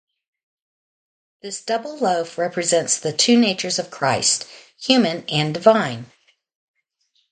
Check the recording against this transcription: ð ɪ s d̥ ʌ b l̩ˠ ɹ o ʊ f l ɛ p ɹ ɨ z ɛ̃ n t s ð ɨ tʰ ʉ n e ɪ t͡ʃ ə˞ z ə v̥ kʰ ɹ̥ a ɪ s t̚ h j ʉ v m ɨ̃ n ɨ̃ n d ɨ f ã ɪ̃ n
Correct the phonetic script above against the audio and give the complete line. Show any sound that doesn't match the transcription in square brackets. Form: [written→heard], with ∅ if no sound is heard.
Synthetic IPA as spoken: ð ɪ s d̥ ʌ b l̩ˠ [ɹ→l] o ʊ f [l→ɹ] ɛ p ɹ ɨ z ɛ̃ n t s ð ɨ tʰ ʉ n e ɪ t͡ʃ ə˞ z [ə→ʌ] v̥ kʰ ɹ̥ a ɪ s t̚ h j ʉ [v→∅] m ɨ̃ n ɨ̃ n d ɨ [f→v] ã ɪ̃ n